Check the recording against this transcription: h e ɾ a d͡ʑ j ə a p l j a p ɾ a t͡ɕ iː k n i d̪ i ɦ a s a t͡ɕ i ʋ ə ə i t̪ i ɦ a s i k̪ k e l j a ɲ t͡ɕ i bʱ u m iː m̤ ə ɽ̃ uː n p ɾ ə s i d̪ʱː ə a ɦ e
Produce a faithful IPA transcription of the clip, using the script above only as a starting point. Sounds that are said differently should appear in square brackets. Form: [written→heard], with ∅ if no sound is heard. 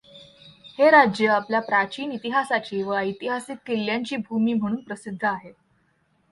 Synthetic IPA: h e ɾ a d͡ʑ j ə a p l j a p ɾ a t͡ɕ iː [k→∅] n i [d̪→t̪] i ɦ a s a t͡ɕ [i→iː] ʋ ə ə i t̪ i ɦ a s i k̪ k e l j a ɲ t͡ɕ [i→iː] bʱ u m iː m̤ ə ɽ̃ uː n p ɾ ə s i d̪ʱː ə a ɦ e